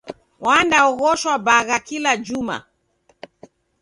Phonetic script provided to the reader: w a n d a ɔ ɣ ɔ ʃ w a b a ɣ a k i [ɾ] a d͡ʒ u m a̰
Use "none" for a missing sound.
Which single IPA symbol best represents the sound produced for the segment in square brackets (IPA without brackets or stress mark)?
l